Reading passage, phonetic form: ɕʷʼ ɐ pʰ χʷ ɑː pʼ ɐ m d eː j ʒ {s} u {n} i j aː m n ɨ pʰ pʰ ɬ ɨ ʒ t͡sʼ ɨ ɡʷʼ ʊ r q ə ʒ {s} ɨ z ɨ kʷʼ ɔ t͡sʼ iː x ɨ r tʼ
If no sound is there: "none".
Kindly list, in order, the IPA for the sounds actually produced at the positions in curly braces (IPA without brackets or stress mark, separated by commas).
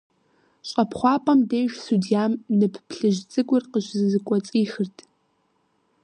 s, d, z